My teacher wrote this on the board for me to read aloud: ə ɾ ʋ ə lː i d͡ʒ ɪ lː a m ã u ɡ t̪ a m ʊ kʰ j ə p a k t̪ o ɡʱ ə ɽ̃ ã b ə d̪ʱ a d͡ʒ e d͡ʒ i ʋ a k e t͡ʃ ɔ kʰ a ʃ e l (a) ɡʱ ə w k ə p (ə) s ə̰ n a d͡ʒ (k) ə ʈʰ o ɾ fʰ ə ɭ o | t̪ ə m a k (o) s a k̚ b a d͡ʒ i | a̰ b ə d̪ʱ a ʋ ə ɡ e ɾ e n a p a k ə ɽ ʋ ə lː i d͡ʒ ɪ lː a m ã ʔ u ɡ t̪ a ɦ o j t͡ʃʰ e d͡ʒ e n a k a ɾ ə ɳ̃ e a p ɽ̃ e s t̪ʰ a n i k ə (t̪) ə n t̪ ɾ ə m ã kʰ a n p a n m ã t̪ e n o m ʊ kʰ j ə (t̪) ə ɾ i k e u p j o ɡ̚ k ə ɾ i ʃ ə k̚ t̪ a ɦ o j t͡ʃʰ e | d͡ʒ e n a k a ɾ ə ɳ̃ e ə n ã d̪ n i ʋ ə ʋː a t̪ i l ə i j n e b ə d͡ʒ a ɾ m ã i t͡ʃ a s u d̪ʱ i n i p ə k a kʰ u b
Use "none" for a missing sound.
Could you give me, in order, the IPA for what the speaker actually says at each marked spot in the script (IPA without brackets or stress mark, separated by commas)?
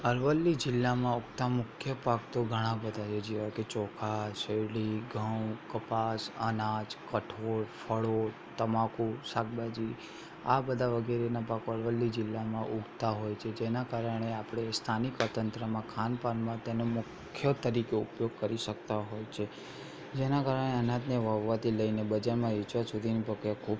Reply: i, a, k, u, t̪, t̪